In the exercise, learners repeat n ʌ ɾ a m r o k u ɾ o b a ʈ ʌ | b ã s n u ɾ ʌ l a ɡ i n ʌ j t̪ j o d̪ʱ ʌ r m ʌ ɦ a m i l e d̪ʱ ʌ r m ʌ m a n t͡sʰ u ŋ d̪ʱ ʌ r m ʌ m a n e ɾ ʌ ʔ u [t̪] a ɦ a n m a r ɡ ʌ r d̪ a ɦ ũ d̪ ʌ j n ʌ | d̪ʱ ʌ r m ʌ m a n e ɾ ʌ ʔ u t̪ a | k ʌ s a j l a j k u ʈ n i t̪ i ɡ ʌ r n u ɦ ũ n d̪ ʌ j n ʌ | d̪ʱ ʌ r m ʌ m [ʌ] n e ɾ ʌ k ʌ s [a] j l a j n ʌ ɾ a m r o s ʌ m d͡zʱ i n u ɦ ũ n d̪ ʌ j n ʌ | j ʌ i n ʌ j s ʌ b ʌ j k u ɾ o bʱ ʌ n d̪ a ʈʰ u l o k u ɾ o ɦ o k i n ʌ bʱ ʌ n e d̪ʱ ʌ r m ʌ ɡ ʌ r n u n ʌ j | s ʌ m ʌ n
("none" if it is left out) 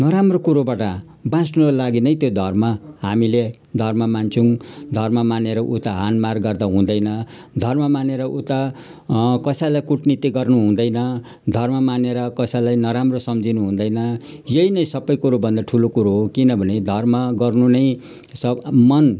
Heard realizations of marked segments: t̪, a, a

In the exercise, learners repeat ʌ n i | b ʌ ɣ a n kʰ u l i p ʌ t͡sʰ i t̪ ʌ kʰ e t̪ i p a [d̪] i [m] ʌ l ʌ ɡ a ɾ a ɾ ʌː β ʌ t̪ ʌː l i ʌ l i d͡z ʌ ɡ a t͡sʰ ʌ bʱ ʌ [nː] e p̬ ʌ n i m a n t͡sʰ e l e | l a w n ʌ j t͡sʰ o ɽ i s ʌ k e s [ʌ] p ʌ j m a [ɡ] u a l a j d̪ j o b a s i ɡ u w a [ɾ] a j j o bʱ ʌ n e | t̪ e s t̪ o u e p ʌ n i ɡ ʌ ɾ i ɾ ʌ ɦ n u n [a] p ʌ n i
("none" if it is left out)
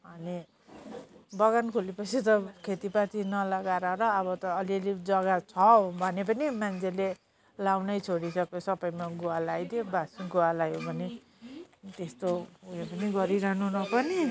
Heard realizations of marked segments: t̪, n, n, ʌ, ɡ, l, ʌ

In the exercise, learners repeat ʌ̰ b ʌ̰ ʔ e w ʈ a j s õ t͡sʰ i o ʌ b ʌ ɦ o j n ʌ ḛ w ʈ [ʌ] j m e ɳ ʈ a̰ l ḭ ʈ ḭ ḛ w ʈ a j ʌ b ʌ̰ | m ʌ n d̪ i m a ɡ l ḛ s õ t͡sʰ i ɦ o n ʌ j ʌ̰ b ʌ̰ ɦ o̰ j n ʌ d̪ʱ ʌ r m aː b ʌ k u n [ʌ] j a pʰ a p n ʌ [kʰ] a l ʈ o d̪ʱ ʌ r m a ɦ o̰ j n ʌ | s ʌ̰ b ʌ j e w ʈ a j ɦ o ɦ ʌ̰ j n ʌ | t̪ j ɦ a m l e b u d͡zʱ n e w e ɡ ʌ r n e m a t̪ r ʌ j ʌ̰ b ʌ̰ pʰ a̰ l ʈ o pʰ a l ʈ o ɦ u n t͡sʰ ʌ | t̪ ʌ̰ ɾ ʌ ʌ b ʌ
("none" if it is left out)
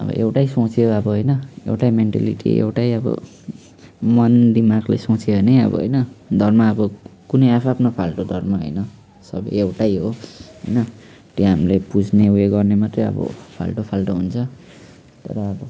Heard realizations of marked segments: a, ʌ, pʰ

